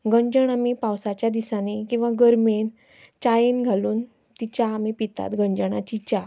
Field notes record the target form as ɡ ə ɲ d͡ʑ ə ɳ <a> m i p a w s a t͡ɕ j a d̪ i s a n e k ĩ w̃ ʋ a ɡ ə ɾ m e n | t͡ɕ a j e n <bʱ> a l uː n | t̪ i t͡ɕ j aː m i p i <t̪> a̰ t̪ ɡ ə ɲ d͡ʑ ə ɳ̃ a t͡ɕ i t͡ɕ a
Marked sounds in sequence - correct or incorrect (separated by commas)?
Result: correct, incorrect, correct